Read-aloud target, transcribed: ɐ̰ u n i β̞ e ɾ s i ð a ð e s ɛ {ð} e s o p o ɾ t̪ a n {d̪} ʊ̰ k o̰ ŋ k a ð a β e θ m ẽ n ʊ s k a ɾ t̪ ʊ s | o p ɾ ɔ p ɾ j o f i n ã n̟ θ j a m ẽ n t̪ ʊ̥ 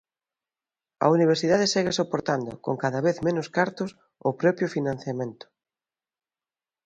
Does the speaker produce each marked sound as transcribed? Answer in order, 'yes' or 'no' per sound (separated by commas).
no, yes